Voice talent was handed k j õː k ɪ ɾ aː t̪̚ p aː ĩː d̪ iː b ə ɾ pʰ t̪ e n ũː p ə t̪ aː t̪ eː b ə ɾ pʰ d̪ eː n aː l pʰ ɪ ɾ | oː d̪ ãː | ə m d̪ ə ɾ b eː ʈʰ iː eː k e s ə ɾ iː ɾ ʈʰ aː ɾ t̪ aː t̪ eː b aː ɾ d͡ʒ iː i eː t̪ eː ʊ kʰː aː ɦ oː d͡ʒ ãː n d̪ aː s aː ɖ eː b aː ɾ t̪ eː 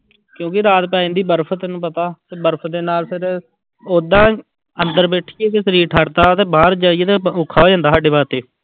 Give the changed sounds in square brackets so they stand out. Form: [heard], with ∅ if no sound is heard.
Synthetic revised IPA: k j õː k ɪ ɾ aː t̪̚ p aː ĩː d̪ iː b ə ɾ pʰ t̪ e n ũː p ə t̪ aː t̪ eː b ə ɾ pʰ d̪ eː n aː l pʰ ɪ ɾ | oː d̪ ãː | ə [n] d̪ ə ɾ b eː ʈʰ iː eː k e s ə ɾ iː ɾ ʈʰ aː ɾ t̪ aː t̪ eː b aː ɾ d͡ʒ [aː] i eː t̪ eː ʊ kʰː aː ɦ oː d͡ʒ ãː n d̪ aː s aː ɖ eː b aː ɾ t̪ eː